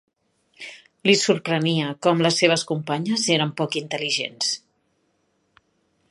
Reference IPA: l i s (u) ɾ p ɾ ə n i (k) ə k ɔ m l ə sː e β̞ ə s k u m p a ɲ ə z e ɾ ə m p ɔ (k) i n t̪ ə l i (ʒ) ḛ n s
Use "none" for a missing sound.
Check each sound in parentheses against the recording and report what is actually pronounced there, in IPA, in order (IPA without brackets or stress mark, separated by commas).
u, none, k, ʒ